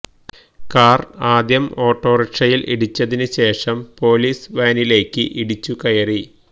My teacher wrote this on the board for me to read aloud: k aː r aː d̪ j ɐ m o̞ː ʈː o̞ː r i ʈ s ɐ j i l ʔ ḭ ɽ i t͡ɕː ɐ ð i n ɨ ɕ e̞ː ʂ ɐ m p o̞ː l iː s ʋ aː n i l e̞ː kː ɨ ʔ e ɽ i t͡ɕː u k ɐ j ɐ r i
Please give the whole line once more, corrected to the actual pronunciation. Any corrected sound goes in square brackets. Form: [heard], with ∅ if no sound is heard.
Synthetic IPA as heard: k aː r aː d̪ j ɐ m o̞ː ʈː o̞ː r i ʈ [ʂ] ɐ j i l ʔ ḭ ɽ i t͡ɕː ɐ ð i n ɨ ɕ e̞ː ʂ ɐ m p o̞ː l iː s ʋ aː n i l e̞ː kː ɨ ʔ [i] ɽ i t͡ɕː u k ɐ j ɐ r i

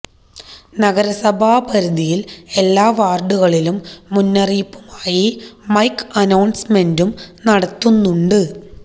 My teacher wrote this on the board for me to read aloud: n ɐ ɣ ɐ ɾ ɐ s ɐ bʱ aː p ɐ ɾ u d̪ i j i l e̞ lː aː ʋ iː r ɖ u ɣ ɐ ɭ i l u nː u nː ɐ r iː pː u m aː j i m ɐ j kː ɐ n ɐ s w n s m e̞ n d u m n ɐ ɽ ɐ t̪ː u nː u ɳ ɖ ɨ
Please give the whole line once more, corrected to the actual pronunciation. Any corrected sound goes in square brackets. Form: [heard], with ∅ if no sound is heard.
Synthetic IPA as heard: n ɐ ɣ ɐ ɾ ɐ s ɐ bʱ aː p ɐ ɾ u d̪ i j i l e̞ lː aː ʋ [aː] r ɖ u ɣ ɐ ɭ i l u [mː] u nː ɐ r iː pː u m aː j i m ɐ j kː ɐ n ɐ [∅] w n s m e̞ n d u m n ɐ ɽ ɐ t̪ː u nː u ɳ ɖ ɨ

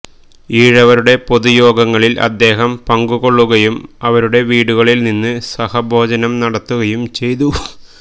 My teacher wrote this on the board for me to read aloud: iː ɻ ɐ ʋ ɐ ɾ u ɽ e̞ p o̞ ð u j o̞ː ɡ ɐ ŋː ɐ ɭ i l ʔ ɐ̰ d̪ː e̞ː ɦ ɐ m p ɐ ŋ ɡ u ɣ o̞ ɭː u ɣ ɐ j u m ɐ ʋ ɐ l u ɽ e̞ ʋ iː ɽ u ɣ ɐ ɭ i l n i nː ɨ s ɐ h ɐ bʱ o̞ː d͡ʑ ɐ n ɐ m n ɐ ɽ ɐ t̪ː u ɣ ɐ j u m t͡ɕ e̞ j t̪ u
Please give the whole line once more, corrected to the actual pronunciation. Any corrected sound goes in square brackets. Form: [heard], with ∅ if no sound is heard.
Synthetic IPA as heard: iː ɻ ɐ ʋ ɐ ɾ u ɽ e̞ p o̞ ð u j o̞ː ɡ ɐ ŋː ɐ ɭ i l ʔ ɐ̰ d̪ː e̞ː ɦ ɐ m p ɐ ŋ ɡ u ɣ o̞ ɭː u ɣ ɐ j u m ɐ ʋ ɐ [ɾ] u ɽ e̞ ʋ iː ɽ u ɣ ɐ ɭ i l n i nː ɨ s ɐ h ɐ bʱ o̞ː d͡ʑ ɐ n ɐ m n ɐ ɽ ɐ t̪ː u ɣ ɐ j u m t͡ɕ e̞ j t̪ u

